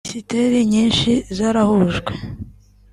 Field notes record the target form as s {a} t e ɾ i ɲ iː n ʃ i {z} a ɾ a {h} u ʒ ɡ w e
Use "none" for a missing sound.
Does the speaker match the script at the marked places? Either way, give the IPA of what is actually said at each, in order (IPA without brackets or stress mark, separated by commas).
i, z, h